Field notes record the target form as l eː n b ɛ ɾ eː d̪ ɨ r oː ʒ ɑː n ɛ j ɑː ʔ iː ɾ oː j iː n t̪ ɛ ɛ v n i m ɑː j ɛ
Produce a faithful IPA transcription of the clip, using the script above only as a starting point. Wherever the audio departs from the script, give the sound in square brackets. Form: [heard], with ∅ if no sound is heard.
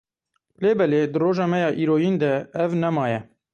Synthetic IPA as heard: l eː [∅] b ɛ [l] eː d̪ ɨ r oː ʒ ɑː [m] ɛ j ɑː ʔ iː ɾ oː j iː n [d̪] ɛ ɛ v n [ɛ] m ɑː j ɛ